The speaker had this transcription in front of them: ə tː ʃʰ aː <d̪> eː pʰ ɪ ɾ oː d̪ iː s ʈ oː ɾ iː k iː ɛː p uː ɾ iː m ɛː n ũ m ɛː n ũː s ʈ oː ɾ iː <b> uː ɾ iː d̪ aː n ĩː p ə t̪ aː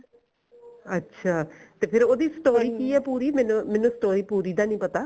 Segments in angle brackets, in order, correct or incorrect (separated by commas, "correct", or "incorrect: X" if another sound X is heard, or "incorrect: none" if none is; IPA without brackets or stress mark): incorrect: t̪, incorrect: p